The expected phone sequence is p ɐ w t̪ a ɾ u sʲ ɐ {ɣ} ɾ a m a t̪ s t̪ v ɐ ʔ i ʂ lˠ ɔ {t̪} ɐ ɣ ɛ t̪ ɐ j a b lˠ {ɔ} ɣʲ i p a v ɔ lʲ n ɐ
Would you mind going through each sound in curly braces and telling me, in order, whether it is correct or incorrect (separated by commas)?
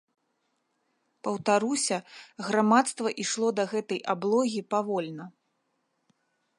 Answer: correct, incorrect, correct